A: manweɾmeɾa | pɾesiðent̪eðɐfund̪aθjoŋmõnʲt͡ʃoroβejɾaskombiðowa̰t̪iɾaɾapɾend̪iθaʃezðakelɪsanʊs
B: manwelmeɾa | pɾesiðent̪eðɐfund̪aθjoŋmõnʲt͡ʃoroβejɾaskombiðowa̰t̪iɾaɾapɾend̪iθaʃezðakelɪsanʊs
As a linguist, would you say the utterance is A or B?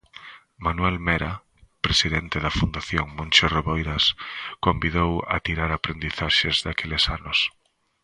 B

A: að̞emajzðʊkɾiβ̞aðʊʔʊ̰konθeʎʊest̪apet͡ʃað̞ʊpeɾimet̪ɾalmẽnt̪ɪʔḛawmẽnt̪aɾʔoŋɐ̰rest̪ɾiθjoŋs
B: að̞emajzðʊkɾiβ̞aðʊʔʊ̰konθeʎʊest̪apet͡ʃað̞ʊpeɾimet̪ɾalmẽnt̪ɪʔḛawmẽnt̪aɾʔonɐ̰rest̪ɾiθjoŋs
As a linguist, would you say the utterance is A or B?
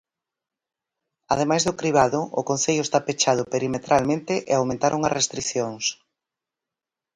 A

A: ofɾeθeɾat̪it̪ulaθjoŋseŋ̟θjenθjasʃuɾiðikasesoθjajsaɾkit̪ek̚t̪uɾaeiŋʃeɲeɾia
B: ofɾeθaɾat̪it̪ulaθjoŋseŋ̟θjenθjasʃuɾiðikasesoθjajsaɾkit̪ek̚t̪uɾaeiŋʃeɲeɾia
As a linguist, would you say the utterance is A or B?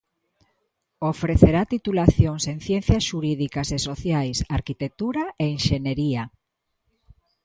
A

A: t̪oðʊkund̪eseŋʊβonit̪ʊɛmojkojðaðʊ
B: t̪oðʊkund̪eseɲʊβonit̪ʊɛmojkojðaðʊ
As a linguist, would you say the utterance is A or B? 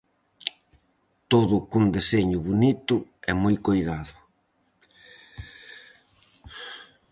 B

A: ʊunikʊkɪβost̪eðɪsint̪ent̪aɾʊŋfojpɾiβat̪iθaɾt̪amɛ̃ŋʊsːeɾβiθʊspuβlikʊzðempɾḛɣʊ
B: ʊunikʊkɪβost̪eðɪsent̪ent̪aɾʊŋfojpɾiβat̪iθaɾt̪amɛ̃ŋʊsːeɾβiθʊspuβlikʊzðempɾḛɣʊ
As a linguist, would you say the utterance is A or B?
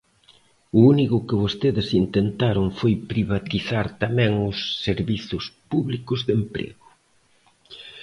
A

